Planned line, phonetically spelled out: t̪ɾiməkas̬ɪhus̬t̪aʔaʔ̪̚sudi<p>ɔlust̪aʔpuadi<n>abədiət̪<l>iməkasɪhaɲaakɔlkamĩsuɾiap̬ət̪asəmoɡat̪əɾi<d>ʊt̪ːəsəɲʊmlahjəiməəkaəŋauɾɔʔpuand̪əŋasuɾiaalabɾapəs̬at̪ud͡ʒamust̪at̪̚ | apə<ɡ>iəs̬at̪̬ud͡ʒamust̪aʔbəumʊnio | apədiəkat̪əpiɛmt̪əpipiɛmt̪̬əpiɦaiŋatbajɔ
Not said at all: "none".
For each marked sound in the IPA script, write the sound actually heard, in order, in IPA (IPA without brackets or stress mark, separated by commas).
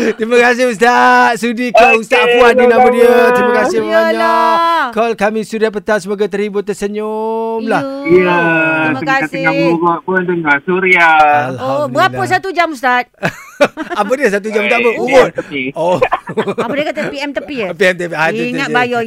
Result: k, n, ɾ, b, d